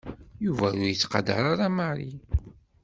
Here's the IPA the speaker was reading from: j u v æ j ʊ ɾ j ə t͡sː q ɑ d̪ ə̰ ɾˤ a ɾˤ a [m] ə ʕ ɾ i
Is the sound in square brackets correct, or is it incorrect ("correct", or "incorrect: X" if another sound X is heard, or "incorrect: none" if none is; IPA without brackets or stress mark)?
correct